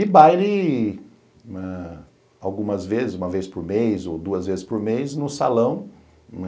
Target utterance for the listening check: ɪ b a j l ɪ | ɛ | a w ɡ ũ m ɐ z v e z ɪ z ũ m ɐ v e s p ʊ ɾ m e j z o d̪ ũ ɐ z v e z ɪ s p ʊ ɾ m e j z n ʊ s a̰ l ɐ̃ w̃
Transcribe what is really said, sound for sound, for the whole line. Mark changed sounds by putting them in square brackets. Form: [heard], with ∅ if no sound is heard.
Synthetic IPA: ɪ b a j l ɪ | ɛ | a w ɡ ũ m ɐ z v e z ɪ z ũ m ɐ v e s p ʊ ɾ m e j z o d̪ [u] ɐ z v e z ɪ s p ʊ ɾ m e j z n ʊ s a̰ l ɐ̃ w̃

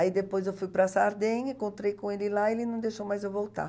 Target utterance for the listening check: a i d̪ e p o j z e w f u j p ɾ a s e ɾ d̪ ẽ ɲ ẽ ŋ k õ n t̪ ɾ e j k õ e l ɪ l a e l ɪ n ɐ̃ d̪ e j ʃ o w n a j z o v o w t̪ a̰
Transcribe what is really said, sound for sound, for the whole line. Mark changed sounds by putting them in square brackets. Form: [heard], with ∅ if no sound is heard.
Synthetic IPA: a i d̪ e p o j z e w f u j p ɾ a s [a] ɾ d̪ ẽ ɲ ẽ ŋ k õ n t̪ ɾ e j k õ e l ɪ l a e l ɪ n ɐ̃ d̪ e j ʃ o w [m] a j z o v o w t̪ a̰

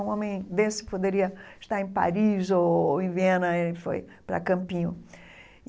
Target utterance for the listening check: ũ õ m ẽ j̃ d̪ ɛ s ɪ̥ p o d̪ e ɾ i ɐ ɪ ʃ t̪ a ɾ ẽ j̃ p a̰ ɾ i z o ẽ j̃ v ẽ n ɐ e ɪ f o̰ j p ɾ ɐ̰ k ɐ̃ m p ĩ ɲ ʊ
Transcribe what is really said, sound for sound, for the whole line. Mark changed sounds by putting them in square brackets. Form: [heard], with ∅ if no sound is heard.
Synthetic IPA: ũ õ m ẽ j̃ d̪ [e] s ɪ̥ p o d̪ e ɾ i ɐ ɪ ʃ t̪ a ɾ ẽ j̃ p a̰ ɾ i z o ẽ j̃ v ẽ n ɐ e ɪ f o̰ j p ɾ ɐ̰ k ɐ̃ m p ĩ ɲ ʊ

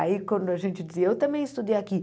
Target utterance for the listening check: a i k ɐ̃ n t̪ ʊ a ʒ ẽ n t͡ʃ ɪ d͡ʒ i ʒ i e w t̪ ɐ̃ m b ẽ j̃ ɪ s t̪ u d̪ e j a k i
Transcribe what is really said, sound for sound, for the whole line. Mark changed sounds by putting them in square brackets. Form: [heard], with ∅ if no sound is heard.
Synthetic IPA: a i k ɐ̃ n [d̪] ʊ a ʒ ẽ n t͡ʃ ɪ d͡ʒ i [z] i e w t̪ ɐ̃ m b ẽ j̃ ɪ s t̪ u d̪ e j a k i

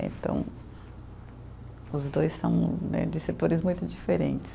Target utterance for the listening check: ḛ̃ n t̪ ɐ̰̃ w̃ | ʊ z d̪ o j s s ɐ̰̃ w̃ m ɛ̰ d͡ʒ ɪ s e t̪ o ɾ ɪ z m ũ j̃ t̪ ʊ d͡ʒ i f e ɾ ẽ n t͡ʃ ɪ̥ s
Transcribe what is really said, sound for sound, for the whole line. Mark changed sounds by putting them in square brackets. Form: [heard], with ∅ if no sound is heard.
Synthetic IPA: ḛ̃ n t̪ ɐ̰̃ w̃ | ʊ z d̪ o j s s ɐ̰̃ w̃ [n] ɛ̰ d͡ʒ ɪ s e t̪ o ɾ ɪ z m ũ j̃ t̪ ʊ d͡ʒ i f e ɾ ẽ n t͡ʃ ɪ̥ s

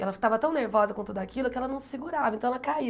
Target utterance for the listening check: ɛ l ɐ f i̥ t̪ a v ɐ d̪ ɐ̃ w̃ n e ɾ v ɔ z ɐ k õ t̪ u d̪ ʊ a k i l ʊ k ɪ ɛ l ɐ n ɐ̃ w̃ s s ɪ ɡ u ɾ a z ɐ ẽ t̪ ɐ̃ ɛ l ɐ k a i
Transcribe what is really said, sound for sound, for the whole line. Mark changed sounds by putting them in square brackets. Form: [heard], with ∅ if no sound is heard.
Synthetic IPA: ɛ l ɐ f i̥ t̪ a v ɐ [t̪] ɐ̃ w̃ n e ɾ v ɔ z ɐ k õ t̪ u d̪ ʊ a k i l ʊ k ɪ ɛ l ɐ n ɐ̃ w̃ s s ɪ ɡ u ɾ a [v] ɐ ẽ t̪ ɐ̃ ɛ l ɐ k a i

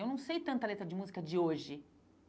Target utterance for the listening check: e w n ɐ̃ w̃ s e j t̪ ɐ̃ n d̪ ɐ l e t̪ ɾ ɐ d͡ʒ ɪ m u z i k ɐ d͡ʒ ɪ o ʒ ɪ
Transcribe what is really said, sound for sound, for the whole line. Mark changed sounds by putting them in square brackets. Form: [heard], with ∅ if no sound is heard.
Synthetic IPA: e w n ɐ̃ w̃ s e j t̪ ɐ̃ n [t̪] ɐ l e t̪ ɾ ɐ d͡ʒ ɪ m u z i k ɐ d͡ʒ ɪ o ʒ ɪ

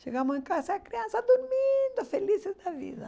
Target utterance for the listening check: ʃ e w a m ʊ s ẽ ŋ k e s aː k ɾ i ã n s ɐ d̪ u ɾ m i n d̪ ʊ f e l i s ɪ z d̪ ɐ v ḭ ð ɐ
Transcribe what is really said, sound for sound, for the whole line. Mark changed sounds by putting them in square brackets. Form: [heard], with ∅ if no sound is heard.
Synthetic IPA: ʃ e [ɣ] a m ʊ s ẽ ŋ k [a] s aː k ɾ i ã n s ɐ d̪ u ɾ m i n d̪ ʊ f e l i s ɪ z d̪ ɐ v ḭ ð ɐ

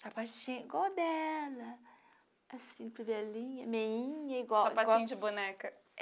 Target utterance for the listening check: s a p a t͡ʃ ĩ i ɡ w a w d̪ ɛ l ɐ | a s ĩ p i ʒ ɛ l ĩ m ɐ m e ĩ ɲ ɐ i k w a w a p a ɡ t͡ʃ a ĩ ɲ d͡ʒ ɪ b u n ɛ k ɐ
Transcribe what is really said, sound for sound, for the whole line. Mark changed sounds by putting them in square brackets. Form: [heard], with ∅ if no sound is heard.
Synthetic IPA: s a p a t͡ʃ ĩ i ɡ w a w d̪ ɛ l ɐ | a s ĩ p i [v] ɛ l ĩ [ɲ] ɐ m e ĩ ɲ ɐ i [ɡ] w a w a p a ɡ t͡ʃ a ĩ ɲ d͡ʒ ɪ b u n ɛ k ɐ

